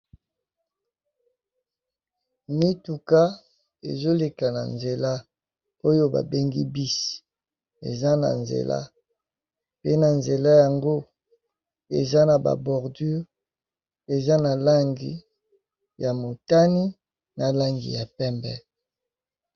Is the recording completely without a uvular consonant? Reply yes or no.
no